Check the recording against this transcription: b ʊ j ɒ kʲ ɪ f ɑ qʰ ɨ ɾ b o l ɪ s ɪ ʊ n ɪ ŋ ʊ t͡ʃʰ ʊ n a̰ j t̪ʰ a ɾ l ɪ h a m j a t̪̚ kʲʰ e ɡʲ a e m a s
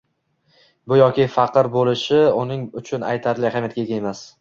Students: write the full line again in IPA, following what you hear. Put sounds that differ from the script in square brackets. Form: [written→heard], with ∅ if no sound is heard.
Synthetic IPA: b ʊ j ɒ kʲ ɪ f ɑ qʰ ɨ ɾ b o l ɪ [s→ʃ] ɪ ʊ n ɪ ŋ ʊ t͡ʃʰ ʊ n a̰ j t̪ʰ a ɾ l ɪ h a m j a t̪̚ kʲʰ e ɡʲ a e m a s